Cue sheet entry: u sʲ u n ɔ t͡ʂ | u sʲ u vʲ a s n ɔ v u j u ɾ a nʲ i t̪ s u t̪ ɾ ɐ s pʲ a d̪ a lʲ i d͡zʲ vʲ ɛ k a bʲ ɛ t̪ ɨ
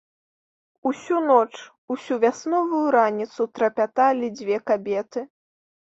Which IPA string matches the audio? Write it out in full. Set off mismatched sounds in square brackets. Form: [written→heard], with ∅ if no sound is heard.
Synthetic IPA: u sʲ u n ɔ t͡ʂ | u sʲ u vʲ a s n ɔ v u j u ɾ a nʲ i t̪ s u t̪ ɾ ɐ [s→∅] pʲ a [d̪→t̪] a lʲ i d͡zʲ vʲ ɛ k a bʲ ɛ t̪ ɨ